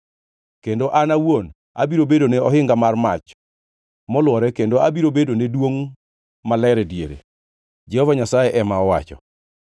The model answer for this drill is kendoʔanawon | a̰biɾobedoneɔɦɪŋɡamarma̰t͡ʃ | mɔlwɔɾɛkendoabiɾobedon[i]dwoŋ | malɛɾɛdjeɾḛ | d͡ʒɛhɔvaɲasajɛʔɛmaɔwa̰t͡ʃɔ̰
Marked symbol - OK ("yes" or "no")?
no